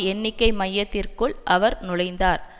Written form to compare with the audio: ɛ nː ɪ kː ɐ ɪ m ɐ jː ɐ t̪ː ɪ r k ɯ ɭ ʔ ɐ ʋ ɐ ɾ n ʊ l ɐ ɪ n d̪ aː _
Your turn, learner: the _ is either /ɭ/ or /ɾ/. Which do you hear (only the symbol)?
ɾ